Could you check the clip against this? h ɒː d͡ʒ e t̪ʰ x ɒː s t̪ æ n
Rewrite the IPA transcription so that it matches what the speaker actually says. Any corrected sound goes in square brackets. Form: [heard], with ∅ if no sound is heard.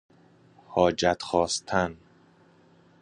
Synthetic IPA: h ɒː d͡ʒ [æ] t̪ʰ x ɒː s [t̪ʰ] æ n